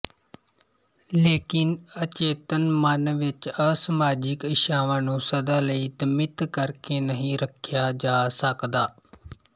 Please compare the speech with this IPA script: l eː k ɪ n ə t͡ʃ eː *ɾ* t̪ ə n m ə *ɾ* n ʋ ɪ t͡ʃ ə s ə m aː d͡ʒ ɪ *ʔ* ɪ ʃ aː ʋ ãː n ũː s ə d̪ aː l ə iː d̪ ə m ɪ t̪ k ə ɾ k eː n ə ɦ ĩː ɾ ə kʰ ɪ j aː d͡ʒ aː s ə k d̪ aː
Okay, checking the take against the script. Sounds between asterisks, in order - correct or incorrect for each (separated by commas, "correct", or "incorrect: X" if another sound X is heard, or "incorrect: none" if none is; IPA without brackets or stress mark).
incorrect: none, incorrect: none, incorrect: k